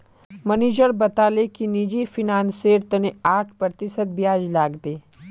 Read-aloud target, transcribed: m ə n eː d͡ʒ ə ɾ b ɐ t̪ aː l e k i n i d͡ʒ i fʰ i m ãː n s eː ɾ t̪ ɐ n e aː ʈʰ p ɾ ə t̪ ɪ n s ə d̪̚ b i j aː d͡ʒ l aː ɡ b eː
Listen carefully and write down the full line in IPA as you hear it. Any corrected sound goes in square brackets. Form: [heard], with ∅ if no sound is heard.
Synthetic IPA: m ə n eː d͡ʒ ə ɾ b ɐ t̪ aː l e k i n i d͡ʒ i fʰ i [n] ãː n s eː ɾ t̪ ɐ n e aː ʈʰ p ɾ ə t̪ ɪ [∅] s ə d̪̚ b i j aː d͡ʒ l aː ɡ b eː